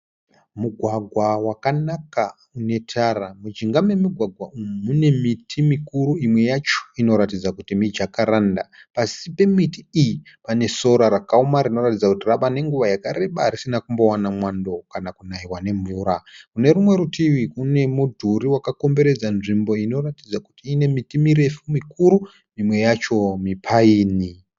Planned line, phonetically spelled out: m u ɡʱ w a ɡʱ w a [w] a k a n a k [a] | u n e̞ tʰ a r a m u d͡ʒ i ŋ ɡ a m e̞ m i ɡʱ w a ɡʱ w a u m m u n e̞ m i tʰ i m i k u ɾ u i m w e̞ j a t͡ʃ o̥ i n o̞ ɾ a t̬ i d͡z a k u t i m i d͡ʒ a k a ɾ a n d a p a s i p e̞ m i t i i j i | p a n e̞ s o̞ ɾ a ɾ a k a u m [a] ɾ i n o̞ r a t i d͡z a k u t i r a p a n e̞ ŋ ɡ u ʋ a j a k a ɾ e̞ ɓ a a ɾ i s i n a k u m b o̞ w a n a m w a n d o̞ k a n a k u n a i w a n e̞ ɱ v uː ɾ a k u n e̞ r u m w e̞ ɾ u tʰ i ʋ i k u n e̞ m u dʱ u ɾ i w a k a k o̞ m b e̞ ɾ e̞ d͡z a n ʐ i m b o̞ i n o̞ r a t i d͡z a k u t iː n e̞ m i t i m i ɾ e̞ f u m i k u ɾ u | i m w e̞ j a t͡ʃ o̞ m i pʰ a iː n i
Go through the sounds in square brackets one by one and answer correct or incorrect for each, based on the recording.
correct, correct, correct

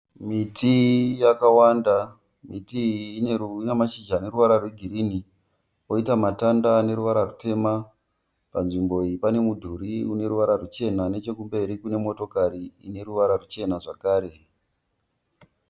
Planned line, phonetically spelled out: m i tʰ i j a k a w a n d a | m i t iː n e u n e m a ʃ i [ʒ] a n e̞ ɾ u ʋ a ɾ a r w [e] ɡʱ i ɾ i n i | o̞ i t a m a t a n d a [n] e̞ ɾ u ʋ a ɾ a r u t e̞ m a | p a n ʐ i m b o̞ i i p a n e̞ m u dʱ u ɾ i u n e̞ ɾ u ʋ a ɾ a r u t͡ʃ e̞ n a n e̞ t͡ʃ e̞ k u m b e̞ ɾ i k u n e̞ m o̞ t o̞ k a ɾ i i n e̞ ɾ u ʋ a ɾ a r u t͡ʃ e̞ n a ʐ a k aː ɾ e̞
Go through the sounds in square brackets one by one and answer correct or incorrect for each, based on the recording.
incorrect: d͡ʒ, correct, correct

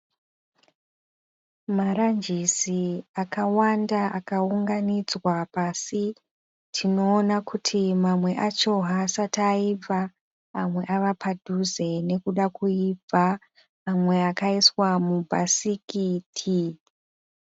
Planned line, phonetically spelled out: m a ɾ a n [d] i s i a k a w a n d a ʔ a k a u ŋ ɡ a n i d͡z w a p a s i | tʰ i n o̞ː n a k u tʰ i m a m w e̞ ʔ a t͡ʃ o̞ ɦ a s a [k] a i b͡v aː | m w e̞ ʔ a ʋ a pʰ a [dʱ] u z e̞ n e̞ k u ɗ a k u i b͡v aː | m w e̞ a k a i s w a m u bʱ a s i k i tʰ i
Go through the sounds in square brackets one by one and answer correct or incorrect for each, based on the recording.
incorrect: d͡ʒ, incorrect: t, correct

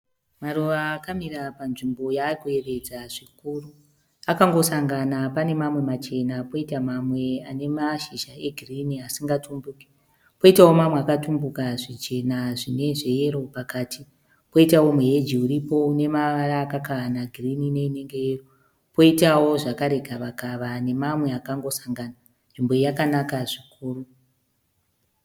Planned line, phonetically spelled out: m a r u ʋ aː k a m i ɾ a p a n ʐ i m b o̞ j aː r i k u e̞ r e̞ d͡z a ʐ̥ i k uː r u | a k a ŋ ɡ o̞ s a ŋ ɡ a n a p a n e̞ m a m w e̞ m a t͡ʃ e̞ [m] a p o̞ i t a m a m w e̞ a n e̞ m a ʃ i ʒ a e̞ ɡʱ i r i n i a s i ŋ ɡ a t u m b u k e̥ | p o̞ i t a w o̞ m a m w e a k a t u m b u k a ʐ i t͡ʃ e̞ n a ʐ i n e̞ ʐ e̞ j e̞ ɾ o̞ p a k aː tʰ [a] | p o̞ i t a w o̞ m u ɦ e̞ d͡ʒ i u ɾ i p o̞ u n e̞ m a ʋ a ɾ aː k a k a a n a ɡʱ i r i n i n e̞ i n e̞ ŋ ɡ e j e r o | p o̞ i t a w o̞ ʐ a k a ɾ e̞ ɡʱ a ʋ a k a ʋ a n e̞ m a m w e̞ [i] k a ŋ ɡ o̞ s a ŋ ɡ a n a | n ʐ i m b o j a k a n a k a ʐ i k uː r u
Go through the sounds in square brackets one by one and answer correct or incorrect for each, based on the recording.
incorrect: n, incorrect: i, incorrect: a

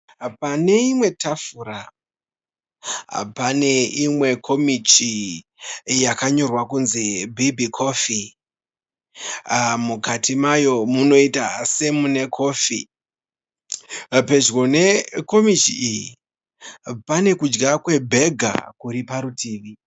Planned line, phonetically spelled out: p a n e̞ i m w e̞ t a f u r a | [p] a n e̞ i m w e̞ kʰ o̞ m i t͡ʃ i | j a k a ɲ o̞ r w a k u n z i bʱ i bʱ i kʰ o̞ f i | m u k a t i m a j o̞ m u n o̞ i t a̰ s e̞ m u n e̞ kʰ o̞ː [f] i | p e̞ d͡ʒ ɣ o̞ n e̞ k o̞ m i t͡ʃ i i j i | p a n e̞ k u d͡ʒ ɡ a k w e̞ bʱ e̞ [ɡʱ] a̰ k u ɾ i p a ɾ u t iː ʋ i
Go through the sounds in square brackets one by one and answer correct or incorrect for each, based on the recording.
correct, correct, correct

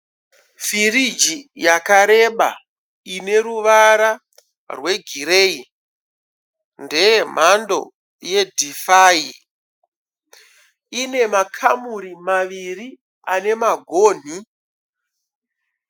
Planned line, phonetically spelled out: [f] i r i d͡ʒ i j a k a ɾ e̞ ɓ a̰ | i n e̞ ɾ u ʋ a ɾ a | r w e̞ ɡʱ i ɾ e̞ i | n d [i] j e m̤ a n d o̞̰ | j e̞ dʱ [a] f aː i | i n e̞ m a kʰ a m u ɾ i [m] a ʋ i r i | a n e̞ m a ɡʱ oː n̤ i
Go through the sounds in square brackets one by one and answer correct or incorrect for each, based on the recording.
correct, incorrect: e, incorrect: i, correct

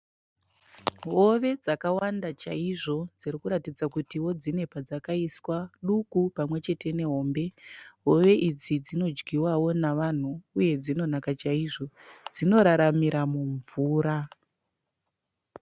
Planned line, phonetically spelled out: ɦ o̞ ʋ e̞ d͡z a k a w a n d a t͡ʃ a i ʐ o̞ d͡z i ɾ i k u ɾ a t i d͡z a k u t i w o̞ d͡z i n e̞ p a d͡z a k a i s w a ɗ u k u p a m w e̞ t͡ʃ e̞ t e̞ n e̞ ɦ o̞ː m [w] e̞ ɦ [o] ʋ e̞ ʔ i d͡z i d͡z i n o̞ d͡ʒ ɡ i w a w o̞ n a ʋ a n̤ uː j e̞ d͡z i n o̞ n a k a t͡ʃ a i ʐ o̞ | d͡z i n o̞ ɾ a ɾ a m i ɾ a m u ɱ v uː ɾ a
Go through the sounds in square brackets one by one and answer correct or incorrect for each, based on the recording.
incorrect: b, correct

